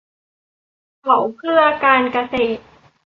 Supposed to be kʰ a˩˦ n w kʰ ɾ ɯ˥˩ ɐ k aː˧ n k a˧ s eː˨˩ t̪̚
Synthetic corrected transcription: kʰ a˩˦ w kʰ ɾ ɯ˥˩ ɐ k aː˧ n k a˧ s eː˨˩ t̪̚